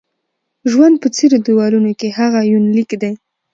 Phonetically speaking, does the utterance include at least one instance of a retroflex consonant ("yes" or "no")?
no